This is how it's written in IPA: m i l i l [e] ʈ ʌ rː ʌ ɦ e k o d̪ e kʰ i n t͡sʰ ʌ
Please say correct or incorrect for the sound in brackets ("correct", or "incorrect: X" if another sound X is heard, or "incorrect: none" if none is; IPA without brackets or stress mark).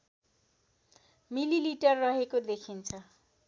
incorrect: i